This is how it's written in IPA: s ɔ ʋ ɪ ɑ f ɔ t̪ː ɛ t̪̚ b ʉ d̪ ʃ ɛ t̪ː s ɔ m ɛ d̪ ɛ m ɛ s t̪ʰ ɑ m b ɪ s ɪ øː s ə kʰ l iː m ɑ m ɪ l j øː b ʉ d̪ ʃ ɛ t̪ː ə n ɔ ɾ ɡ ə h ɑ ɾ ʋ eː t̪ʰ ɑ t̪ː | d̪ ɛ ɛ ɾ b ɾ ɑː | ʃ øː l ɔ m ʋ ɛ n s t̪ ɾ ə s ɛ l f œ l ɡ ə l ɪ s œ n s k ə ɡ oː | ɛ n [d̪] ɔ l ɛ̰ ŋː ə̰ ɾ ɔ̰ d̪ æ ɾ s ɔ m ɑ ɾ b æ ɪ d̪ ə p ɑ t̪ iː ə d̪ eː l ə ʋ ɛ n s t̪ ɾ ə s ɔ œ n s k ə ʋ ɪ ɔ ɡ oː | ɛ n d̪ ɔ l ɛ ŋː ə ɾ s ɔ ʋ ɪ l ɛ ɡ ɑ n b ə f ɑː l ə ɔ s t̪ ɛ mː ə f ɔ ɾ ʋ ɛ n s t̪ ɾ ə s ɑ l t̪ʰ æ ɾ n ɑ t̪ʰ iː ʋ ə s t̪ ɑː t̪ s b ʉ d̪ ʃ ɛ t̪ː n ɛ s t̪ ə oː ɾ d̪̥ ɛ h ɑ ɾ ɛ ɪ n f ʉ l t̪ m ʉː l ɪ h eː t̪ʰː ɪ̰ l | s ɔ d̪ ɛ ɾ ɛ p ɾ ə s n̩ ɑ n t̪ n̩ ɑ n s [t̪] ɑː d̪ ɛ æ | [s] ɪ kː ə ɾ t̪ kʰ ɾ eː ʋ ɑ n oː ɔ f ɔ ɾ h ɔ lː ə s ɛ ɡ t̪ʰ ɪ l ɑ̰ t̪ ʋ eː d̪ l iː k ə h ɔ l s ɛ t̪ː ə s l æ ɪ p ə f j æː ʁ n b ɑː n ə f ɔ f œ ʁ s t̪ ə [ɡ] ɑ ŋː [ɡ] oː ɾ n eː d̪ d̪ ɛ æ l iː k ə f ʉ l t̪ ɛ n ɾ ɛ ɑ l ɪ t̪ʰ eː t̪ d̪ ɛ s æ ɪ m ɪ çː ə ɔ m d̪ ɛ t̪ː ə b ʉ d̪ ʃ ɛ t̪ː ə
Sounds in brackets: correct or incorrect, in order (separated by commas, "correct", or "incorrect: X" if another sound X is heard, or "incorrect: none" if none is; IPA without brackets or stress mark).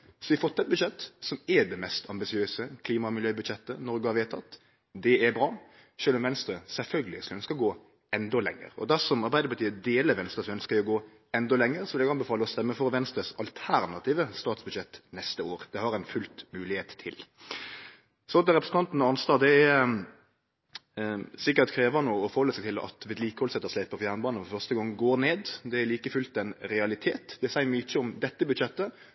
correct, correct, correct, correct, correct